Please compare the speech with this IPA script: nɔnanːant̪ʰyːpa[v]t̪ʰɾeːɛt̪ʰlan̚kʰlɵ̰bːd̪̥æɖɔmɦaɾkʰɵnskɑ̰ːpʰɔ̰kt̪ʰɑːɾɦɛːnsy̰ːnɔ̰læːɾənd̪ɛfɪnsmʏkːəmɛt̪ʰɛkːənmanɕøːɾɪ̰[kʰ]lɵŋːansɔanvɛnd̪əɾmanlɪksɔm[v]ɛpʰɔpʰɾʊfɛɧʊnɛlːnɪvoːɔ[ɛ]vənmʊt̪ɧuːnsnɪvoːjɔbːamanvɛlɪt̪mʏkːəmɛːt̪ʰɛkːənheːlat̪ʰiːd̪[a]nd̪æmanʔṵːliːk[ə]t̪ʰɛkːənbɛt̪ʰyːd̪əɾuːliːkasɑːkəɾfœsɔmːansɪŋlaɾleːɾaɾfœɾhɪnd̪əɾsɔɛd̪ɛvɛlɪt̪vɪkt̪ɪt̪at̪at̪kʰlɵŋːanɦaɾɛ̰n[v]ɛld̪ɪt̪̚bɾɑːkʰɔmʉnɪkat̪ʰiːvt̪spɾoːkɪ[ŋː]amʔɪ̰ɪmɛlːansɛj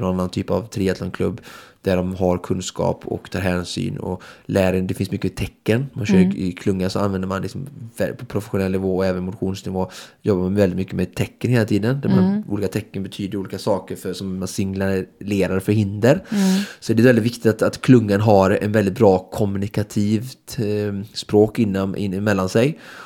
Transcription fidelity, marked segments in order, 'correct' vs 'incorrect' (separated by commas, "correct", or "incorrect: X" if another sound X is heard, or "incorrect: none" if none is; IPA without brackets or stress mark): correct, correct, correct, incorrect: ɛː, incorrect: ə, incorrect: a, correct, incorrect: nː